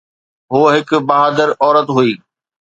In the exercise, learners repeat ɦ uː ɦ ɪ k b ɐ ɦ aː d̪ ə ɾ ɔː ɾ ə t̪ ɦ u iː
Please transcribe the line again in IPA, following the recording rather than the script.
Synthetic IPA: ɦ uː ɦ ɪ k b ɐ ɦ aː d̪ ə ɾ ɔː ɾ ə t̪ ɦ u iː